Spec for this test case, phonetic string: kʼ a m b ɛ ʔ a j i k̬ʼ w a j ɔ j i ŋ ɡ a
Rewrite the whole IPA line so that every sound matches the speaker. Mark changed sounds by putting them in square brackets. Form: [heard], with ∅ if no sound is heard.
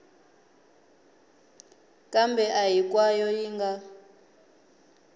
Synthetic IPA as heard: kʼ a m b ɛ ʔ a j i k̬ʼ w a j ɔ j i ŋ ɡ a